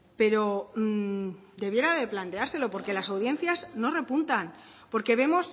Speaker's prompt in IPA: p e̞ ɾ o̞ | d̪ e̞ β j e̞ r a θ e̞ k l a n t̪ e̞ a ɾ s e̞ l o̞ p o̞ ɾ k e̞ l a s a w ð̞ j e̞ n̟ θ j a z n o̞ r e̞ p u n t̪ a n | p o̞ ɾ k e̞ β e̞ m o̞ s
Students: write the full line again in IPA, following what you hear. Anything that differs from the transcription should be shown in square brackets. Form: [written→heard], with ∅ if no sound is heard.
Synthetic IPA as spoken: p e̞ ɾ o̞ | d̪ e̞ β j e̞ [r→ɾ] a [θ→ð] e̞ [k→p] l a n t̪ e̞ a ɾ s e̞ l o̞ p o̞ ɾ k e̞ l a s a w ð̞ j e̞ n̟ θ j a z n o̞ r e̞ p u n t̪ a n | p o̞ ɾ k e̞ β e̞ m o̞ s